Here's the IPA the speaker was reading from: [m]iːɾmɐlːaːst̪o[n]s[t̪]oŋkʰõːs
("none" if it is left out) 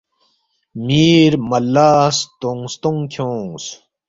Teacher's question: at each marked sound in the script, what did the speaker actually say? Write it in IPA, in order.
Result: m, ŋ, t̪

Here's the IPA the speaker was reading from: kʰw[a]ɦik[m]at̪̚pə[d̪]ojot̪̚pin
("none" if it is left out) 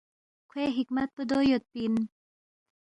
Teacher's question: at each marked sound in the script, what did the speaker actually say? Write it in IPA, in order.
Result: e, m, d̪

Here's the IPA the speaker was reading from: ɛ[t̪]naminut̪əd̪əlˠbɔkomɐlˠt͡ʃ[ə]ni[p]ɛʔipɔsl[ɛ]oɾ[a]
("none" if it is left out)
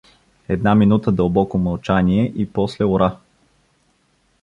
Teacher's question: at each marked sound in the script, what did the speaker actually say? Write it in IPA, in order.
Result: d̪, a, none, ɛ, a

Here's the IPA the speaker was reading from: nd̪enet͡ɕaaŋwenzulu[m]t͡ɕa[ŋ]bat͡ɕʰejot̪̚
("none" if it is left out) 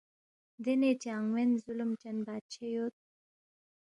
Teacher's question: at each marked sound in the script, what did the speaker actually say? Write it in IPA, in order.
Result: m, n

